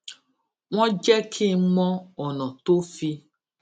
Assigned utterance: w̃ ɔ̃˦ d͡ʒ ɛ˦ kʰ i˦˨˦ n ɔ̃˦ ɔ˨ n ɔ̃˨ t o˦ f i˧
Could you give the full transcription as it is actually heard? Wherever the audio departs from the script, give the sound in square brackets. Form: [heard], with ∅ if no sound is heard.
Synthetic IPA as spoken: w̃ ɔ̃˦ d͡ʒ ɛ˦ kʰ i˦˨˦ [m] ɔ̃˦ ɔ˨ n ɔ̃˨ t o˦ f i˧